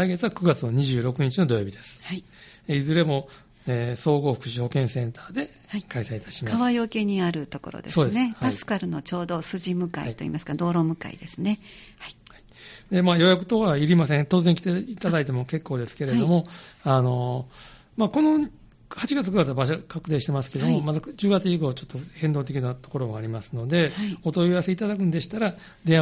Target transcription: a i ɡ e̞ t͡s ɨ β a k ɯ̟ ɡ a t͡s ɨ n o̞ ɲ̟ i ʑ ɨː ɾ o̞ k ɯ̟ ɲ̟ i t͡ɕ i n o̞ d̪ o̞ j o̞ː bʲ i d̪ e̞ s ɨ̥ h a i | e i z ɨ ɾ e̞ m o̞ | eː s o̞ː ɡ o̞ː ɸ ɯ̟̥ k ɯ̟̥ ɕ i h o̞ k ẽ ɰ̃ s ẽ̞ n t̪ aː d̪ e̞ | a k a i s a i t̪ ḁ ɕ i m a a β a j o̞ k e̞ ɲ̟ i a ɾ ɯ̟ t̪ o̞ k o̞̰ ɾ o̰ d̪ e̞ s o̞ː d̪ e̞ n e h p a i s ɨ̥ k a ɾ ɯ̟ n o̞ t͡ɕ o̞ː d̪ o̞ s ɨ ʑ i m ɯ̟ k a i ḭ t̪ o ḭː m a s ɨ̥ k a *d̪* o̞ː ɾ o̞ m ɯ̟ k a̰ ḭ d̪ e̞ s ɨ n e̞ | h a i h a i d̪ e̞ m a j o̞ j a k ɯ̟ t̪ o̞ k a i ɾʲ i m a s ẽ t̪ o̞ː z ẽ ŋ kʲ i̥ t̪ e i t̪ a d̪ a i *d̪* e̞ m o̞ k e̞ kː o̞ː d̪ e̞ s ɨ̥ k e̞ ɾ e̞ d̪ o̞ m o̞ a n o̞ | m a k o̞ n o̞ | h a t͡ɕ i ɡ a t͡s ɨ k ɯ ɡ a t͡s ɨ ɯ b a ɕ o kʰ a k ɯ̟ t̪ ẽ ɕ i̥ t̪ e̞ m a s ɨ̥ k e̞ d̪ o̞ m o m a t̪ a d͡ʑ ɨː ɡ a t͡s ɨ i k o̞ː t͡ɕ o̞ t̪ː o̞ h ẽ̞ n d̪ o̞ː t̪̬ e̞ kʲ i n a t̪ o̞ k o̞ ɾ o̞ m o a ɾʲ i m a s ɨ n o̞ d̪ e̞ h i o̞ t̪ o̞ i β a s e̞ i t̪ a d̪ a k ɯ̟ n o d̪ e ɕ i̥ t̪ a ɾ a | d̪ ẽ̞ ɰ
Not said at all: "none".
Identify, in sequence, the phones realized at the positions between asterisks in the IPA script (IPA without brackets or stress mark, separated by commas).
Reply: d̪, t̪